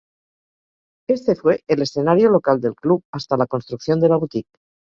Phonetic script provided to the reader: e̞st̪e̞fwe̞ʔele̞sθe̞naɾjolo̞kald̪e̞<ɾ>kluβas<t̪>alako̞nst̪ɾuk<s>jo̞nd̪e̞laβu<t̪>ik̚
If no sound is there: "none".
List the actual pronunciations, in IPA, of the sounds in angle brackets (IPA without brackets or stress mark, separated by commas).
l, t̪, θ, t̪